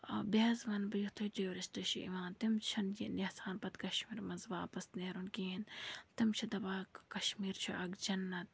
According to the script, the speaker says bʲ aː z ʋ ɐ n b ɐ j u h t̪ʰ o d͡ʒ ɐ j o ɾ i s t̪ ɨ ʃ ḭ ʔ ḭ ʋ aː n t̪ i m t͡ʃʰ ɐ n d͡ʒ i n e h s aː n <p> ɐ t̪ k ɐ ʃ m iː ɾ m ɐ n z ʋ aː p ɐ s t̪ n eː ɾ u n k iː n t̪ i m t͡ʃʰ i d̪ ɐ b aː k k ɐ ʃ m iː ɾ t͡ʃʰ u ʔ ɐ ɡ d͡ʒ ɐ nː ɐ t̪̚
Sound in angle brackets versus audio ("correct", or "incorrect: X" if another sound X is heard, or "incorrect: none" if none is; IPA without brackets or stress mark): correct